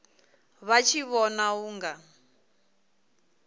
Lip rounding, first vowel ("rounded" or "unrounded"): unrounded